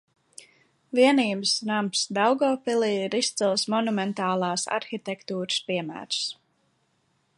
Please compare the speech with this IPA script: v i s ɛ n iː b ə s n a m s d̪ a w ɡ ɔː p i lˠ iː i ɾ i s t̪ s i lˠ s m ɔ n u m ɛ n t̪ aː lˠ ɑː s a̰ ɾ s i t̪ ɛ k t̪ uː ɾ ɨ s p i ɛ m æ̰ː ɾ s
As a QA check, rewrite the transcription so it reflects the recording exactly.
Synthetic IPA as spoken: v i ɛ n iː b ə s n a m s d̪ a w ɡ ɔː p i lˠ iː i ɾ i s t̪ s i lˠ s m ɔ n u m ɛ n t̪ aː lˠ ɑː s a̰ ɾ x i t̪ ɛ k t̪ uː ɾ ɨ s p i ɛ m æ̰ː ɾ s